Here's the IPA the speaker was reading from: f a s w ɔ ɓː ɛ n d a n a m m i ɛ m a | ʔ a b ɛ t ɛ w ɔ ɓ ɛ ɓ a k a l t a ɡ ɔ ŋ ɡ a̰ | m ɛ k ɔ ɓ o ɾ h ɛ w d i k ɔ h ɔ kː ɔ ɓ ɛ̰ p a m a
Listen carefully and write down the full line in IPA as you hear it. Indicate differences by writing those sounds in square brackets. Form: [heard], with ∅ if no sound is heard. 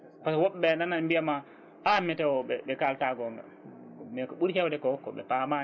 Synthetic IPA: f a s w ɔ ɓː ɛ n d a n a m [b] i [a] m a | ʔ a [m] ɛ t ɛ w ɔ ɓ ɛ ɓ [ɛ] k a l t a ɡ ɔ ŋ ɡ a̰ | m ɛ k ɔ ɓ [u] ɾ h ɛ w d [ɛ] k ɔ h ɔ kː ɔ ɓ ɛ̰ p a m a

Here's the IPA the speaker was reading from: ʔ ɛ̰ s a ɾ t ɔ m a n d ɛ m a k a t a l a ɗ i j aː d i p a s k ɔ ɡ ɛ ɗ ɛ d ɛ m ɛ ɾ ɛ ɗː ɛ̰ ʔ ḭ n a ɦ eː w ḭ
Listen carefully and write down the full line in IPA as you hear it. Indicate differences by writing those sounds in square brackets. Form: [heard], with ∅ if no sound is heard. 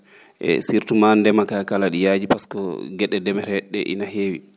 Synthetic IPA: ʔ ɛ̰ s [i] ɾ t [u] m a n d ɛ m a k a [k] a l a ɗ i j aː [d͡ʒ] i p a s k ɔ ɡ ɛ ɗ ɛ d ɛ m ɛ ɾ ɛ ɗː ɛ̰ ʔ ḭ n a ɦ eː w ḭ

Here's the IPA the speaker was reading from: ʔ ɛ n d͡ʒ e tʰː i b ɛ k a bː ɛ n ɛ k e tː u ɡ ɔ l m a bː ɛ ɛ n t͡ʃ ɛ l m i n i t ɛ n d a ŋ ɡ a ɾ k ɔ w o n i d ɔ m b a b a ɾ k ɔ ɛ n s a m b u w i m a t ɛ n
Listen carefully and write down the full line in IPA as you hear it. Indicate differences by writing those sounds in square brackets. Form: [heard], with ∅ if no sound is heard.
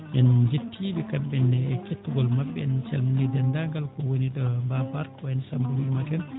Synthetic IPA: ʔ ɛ n d͡ʒ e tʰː i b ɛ k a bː ɛ n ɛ k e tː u ɡ ɔ l m a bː ɛ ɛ n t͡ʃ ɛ l m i n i [d] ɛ n d a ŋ ɡ a [l] k ɔ w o n i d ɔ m b a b a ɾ k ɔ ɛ n s a m b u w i m a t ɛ n

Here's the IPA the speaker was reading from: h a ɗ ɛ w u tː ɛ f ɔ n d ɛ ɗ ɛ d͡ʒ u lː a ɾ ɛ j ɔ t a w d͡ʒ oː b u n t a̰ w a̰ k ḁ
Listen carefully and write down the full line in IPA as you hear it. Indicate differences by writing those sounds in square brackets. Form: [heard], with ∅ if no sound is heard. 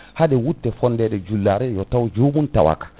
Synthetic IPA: h a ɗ ɛ w u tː ɛ f ɔ n d ɛ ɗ ɛ d͡ʒ u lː a ɾ ɛ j ɔ t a w d͡ʒ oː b u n t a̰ w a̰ k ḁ

